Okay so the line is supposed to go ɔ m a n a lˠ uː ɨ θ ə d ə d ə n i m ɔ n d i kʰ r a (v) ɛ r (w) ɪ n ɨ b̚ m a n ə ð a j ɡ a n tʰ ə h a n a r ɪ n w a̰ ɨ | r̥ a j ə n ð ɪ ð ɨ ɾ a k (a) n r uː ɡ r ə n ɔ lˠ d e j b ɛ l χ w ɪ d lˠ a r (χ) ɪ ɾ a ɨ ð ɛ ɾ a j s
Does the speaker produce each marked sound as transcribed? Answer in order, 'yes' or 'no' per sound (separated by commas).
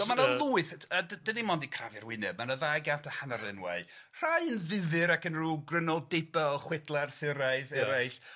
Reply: yes, yes, no, no